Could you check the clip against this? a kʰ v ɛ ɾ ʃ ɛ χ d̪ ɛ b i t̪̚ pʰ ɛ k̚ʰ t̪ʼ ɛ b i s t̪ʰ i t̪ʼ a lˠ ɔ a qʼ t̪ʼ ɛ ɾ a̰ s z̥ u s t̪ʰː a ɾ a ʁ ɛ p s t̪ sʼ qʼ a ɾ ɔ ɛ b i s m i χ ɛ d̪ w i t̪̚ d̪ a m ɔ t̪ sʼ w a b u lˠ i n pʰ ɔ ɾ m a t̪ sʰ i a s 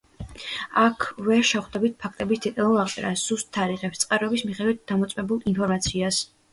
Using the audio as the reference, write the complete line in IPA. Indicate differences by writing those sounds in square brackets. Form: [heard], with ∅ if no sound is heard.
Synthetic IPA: a kʰ v ɛ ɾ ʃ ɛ χ d̪ ɛ b i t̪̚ pʰ [a] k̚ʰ t̪ʼ ɛ b i s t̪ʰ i t̪ʼ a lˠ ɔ a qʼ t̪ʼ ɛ ɾ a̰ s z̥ u s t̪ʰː a ɾ [i] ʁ ɛ p s t̪ sʼ qʼ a ɾ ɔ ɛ b i s m i χ ɛ d̪ w i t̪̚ d̪ a m ɔ t̪ sʼ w [ɛ] b u lˠ i n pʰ ɔ ɾ m a t̪ sʰ i a s